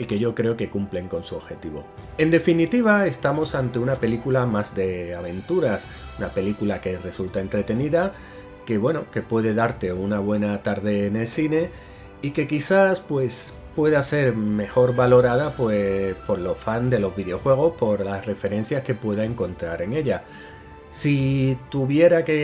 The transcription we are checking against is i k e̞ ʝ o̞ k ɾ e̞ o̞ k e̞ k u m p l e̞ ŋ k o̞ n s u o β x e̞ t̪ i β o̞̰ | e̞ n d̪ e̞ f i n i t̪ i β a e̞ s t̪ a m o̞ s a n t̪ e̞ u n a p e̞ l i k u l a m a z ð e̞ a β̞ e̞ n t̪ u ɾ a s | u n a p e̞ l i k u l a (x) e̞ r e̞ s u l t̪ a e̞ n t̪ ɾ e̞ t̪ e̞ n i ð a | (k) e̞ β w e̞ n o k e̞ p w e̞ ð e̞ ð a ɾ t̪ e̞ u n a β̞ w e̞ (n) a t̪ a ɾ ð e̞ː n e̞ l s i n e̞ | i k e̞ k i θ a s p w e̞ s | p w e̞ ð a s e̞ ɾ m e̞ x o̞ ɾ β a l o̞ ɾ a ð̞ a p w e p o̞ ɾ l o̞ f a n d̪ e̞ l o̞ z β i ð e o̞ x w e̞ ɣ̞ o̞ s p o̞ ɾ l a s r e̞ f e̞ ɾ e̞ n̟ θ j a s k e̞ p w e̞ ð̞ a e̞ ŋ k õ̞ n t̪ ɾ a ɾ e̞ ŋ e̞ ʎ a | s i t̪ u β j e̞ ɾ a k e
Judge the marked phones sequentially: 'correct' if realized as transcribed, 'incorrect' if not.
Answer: incorrect: k, correct, correct

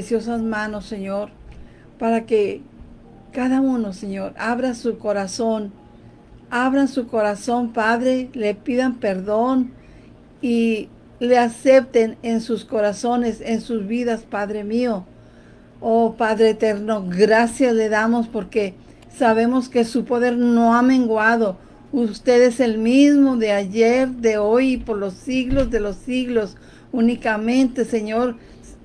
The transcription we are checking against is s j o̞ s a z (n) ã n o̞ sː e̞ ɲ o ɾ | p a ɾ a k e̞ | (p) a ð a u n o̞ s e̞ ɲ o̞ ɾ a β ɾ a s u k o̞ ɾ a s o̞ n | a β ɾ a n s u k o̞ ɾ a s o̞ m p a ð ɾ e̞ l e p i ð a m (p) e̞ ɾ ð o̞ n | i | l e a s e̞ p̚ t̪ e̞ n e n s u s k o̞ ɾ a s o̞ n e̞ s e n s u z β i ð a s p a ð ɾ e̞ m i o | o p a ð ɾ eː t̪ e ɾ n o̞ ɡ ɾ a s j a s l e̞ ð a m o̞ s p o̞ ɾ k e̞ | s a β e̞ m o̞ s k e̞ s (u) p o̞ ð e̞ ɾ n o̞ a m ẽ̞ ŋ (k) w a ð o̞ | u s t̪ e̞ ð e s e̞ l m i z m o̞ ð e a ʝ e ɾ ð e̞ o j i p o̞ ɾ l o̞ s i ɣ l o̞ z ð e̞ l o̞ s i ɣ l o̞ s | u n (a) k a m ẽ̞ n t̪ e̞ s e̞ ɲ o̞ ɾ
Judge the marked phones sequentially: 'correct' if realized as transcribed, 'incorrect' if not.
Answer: incorrect: m, incorrect: k, correct, correct, incorrect: ɡ, incorrect: i

